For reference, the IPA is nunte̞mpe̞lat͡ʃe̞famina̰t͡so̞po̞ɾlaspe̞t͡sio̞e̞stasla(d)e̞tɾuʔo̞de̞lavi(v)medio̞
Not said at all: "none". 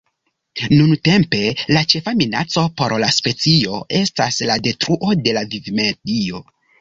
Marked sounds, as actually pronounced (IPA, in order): d, v

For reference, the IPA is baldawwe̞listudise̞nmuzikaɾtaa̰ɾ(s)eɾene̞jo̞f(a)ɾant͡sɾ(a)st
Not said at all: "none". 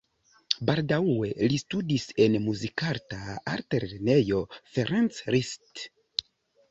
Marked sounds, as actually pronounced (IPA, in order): t, e, i

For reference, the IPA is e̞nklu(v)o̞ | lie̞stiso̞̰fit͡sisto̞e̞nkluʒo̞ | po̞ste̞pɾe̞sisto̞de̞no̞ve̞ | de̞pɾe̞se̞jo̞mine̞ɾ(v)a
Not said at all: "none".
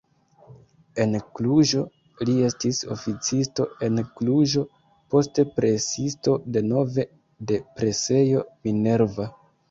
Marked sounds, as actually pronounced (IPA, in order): ʒ, v

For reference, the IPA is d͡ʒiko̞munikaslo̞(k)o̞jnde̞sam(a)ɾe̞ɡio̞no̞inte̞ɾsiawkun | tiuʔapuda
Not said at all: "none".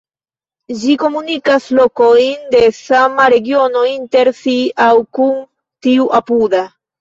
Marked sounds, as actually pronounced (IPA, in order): k, a

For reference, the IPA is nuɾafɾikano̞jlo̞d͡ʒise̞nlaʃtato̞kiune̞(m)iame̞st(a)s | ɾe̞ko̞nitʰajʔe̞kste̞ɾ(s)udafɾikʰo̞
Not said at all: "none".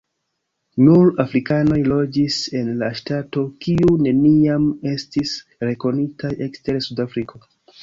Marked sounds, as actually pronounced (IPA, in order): n, i, s

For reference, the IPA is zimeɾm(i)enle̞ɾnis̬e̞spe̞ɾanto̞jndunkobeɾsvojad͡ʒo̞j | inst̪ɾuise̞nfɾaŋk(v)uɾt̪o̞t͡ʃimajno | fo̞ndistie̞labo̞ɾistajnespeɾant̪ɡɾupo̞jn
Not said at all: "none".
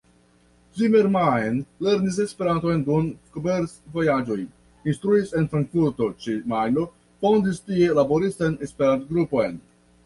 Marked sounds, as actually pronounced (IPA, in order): a, f

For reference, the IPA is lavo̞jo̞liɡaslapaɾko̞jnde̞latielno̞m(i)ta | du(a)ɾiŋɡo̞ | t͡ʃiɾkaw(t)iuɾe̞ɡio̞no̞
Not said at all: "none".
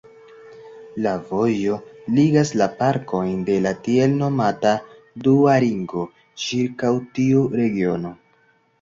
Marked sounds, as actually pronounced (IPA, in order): a, a, t

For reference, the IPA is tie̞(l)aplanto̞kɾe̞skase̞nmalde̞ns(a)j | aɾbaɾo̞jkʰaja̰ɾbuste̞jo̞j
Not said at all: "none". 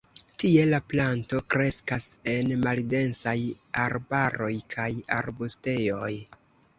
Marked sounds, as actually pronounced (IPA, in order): l, a

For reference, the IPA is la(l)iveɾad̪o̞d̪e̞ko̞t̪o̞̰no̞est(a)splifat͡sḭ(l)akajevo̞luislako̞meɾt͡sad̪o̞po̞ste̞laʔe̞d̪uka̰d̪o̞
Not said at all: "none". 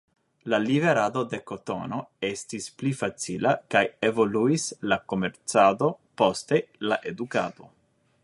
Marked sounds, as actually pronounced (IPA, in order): l, i, l

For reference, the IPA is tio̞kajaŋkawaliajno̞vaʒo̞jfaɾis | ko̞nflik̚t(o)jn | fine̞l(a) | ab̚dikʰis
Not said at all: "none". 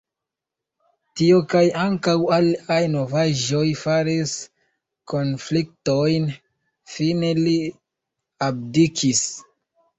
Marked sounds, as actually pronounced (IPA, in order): o, i

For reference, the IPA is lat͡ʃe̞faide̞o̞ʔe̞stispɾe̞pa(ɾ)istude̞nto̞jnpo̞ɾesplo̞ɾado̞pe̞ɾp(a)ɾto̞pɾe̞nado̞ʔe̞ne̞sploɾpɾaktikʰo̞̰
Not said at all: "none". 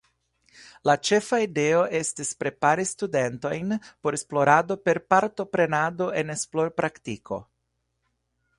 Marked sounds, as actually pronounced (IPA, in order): ɾ, a

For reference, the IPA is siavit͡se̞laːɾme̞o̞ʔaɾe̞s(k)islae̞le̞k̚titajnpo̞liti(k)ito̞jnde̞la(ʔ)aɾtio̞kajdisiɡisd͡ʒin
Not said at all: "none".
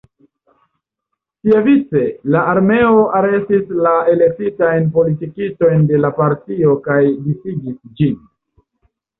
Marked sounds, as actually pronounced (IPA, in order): t, k, p

